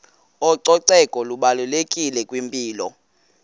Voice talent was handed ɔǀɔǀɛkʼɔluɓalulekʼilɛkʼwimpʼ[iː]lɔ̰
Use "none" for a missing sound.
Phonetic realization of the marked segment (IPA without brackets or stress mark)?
iː